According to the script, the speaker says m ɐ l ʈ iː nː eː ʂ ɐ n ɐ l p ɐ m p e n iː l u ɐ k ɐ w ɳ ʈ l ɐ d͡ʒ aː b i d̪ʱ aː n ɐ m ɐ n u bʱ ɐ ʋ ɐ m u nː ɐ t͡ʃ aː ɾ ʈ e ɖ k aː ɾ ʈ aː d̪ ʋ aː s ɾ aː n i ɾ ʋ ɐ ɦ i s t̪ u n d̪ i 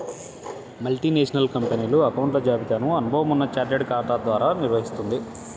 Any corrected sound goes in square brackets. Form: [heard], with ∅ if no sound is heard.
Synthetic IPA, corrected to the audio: m ɐ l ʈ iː [n] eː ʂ ɐ n ɐ l [k] ɐ m p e n iː l u ɐ k ɐ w ɳ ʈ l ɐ d͡ʒ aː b i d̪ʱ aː n ɐ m ɐ n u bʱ ɐ ʋ ɐ m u nː ɐ t͡ʃ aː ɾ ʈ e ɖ k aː ɾ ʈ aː d̪ ʋ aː [∅] ɾ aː n i ɾ ʋ ɐ ɦ i s t̪ u n d̪ i